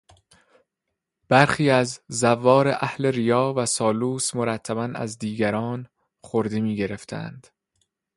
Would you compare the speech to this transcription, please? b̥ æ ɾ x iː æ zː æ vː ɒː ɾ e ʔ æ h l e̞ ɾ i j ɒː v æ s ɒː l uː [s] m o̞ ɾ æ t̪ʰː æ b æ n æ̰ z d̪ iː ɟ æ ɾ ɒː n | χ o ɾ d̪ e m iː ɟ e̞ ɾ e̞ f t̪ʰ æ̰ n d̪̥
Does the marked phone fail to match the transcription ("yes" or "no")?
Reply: no